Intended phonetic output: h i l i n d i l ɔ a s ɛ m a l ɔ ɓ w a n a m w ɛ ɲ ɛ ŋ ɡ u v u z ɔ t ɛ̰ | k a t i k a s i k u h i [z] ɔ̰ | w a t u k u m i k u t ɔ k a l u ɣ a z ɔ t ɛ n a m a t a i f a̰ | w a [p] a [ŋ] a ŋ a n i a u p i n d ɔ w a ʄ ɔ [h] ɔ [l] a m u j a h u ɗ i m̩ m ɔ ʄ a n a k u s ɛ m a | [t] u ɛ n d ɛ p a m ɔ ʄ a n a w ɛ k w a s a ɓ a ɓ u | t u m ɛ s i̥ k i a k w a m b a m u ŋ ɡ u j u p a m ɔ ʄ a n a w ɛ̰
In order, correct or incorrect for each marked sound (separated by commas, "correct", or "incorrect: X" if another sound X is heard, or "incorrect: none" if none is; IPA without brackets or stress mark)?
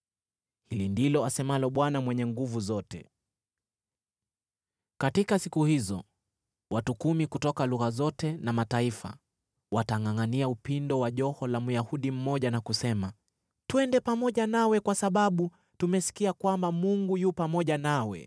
correct, incorrect: t, correct, correct, correct, correct